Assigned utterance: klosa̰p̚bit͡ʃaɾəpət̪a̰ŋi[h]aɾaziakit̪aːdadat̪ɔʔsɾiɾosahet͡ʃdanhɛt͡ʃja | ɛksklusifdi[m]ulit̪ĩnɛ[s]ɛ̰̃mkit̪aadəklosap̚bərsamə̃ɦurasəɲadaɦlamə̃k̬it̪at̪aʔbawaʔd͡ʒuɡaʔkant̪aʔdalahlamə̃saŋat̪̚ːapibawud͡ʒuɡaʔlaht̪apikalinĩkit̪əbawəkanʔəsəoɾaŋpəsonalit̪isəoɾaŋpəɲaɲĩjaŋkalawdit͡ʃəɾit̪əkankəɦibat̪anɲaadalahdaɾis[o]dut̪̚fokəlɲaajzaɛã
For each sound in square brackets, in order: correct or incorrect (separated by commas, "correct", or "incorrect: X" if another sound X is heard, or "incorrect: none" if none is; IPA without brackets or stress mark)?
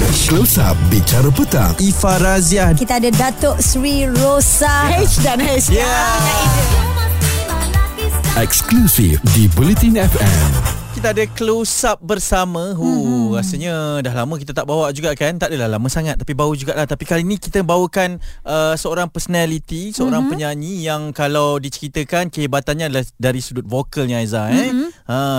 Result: incorrect: f, incorrect: b, incorrect: f, incorrect: u